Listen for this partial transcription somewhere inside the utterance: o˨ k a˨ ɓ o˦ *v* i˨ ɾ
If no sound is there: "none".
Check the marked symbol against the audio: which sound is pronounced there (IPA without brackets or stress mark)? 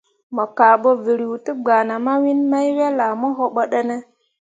v